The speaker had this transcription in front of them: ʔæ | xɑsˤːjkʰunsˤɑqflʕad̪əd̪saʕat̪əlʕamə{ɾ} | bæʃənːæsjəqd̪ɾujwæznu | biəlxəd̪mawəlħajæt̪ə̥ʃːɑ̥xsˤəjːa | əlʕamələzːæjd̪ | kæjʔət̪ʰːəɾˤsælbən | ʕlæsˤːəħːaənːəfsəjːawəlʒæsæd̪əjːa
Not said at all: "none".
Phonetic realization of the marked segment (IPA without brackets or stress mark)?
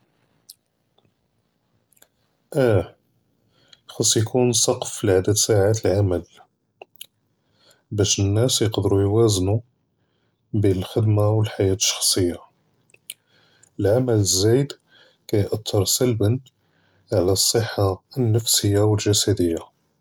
l